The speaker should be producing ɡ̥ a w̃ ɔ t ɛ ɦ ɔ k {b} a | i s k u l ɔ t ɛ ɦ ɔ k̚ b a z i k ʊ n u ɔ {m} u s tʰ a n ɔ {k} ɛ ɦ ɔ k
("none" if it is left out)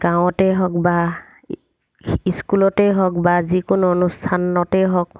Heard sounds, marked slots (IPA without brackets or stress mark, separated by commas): b, n, t